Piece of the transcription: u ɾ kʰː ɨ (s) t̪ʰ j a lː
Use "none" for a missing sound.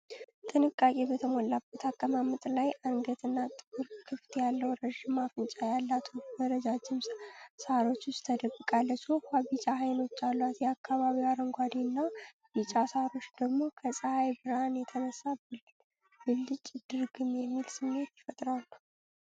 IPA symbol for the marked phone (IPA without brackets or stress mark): f